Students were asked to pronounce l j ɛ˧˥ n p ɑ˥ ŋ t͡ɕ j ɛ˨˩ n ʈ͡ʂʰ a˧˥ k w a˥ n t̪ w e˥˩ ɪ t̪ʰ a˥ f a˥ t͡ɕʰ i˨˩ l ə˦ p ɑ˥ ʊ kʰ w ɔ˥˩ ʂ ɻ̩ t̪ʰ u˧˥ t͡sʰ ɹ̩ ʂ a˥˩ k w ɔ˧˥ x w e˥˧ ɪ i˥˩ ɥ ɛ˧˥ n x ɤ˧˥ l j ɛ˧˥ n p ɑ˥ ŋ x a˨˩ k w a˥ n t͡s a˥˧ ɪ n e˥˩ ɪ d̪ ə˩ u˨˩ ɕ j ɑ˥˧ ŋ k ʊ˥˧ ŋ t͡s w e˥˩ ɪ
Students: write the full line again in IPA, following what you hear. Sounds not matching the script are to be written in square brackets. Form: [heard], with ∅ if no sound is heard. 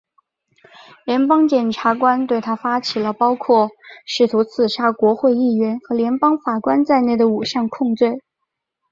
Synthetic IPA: l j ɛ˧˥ n p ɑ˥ ŋ t͡ɕ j ɛ˨˩ n ʈ͡ʂʰ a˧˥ k w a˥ n t̪ w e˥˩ ɪ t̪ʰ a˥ f a˥ t͡ɕʰ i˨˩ l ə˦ p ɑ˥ ʊ kʰ w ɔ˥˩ ʂ ɻ̩ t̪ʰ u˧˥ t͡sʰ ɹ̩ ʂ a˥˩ k w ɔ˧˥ x w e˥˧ ɪ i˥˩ ɥ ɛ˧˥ n x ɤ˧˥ l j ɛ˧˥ n p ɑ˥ ŋ [f] a˨˩ k w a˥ n t͡s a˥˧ ɪ n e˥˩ ɪ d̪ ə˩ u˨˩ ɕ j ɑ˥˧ ŋ [kʰ] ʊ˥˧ ŋ t͡s w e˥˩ ɪ